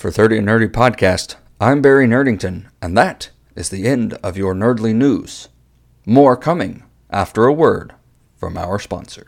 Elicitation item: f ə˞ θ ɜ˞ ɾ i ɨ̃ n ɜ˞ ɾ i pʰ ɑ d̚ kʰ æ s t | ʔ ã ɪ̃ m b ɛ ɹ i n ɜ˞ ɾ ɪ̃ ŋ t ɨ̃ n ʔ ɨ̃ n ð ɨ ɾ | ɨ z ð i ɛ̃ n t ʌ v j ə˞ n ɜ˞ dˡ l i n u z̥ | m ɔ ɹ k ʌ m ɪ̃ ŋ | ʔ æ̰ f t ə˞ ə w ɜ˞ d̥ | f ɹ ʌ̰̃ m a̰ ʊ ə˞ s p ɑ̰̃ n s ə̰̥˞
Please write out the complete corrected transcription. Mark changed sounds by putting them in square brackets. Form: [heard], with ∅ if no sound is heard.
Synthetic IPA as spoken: f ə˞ θ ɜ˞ ɾ i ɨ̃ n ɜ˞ ɾ i pʰ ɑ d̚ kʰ æ s t | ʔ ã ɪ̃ m b ɛ ɹ i n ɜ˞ ɾ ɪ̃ ŋ t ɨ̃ n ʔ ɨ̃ n ð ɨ ɾ | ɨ z ð i ɛ̃ n [d] ʌ v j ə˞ n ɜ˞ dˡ l i n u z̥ | m ɔ ɹ [kʰ] ʌ m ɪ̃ ŋ | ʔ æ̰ f t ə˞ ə w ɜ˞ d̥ | f ɹ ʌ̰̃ m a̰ ʊ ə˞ s p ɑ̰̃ n s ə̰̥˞